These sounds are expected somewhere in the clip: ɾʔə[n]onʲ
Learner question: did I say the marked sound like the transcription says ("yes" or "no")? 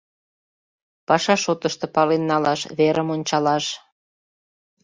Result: no